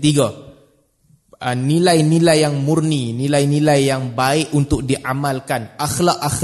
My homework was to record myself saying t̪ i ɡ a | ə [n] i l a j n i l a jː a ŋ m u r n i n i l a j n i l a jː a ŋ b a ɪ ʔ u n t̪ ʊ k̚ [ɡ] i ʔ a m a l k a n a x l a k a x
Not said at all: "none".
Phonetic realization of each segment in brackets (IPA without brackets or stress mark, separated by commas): n, d